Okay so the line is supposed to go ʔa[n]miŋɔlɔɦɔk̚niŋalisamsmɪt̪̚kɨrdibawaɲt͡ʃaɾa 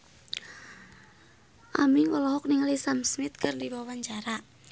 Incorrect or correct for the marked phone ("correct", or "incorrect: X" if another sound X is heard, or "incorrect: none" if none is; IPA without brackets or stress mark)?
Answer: incorrect: none